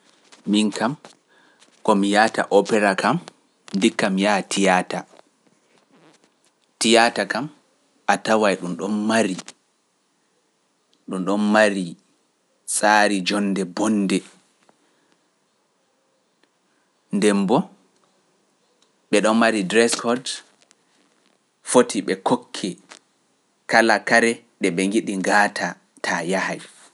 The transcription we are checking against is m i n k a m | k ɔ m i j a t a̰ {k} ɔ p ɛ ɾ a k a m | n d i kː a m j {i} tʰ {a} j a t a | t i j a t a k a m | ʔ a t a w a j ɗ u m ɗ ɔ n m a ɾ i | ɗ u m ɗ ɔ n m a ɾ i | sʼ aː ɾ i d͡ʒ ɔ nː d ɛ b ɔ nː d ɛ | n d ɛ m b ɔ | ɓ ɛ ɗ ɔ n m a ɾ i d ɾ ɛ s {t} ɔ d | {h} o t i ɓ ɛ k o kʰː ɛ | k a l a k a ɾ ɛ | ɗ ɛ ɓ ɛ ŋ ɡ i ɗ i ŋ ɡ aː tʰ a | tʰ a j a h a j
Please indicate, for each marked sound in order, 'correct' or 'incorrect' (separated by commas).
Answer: incorrect, incorrect, incorrect, incorrect, incorrect